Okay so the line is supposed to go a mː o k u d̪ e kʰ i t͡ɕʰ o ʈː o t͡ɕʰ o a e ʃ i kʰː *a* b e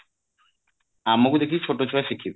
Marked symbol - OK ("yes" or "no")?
no